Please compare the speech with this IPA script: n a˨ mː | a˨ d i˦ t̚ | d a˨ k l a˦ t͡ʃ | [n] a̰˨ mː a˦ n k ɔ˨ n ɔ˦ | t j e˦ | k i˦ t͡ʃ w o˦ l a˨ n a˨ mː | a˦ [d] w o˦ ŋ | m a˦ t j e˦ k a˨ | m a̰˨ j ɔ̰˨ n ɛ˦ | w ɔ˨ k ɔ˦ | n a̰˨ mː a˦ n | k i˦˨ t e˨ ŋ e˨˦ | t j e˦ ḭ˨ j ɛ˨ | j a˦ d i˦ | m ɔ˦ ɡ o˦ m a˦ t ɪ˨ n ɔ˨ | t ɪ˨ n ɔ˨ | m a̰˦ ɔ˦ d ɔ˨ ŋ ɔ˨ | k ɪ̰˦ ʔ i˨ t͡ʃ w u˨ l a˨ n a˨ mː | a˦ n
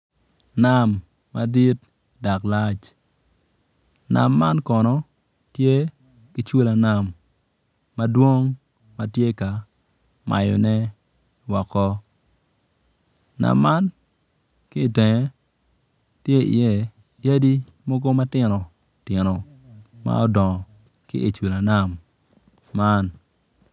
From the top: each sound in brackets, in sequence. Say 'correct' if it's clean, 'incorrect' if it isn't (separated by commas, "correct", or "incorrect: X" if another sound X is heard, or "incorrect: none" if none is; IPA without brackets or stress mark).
correct, correct